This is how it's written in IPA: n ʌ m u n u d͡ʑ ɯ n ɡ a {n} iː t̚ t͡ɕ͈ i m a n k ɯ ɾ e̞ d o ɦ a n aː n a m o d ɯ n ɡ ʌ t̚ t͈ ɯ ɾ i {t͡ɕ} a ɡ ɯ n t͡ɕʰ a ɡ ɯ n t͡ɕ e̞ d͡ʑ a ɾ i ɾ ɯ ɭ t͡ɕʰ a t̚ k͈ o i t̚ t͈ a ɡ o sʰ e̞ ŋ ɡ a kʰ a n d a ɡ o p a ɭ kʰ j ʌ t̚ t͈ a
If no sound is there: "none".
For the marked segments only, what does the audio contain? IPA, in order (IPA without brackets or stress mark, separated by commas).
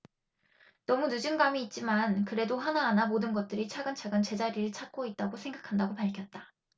m, t͡ɕʰ